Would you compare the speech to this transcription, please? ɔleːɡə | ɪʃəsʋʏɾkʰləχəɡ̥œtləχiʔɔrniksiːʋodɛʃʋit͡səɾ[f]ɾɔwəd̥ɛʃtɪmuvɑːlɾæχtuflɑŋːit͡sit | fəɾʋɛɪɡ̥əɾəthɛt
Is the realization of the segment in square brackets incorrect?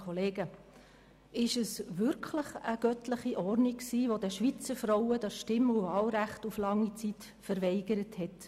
no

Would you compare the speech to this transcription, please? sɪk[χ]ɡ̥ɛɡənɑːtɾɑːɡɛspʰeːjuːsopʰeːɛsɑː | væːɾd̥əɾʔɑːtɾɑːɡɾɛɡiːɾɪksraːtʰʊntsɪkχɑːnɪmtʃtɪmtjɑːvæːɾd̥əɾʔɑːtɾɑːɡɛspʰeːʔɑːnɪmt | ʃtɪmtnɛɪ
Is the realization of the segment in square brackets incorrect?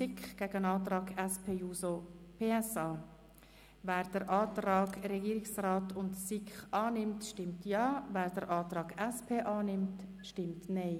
no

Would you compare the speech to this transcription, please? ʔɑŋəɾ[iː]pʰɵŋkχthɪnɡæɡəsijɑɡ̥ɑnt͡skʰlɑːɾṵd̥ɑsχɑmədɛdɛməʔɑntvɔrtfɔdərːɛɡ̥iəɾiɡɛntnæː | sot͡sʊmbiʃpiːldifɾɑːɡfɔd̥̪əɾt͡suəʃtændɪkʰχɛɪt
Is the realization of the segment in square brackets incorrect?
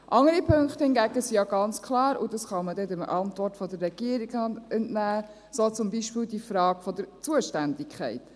yes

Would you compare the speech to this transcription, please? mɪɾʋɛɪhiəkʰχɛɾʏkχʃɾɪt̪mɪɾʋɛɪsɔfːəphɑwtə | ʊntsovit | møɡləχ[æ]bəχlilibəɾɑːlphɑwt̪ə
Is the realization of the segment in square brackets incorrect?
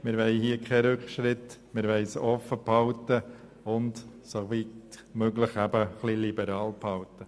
no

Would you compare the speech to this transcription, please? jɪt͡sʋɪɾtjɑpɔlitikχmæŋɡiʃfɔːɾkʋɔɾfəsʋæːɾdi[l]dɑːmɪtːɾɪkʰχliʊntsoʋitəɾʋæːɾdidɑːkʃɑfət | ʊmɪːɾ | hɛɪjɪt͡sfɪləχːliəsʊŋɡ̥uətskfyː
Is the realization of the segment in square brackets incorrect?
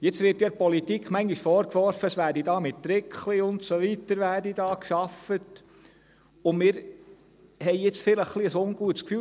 yes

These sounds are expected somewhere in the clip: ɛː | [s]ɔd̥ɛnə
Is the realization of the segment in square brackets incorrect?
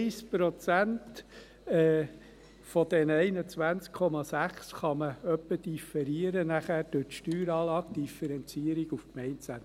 yes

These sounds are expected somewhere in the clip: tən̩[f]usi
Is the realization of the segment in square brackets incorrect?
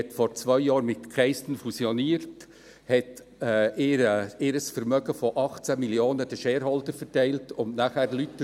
no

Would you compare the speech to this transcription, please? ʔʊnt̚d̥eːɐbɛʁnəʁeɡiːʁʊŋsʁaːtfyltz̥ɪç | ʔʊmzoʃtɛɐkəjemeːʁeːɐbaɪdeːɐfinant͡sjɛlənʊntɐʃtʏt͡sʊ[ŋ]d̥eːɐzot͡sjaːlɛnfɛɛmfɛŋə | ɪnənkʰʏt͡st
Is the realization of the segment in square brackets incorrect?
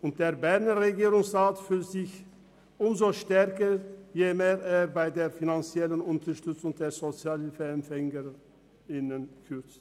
no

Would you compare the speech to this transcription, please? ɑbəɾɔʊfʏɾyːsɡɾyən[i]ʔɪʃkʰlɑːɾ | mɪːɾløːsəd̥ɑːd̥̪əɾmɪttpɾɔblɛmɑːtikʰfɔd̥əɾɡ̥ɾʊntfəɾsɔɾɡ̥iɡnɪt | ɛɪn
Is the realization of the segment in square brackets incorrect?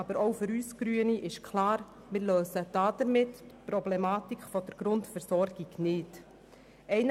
no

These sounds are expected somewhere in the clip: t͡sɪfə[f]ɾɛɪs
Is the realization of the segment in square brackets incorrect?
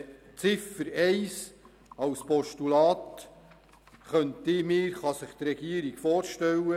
yes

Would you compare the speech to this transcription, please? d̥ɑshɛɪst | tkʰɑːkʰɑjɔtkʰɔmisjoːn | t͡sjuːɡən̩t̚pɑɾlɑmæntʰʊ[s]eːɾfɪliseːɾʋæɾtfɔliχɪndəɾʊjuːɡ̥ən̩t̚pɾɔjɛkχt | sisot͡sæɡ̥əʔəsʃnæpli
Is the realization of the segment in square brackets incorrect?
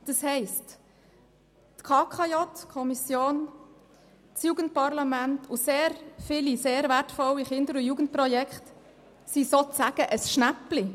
no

